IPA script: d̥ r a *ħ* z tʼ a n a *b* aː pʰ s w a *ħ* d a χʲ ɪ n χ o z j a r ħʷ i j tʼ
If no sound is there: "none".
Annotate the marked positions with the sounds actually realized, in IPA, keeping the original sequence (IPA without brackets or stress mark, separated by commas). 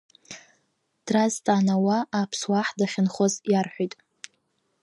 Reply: none, w, ħ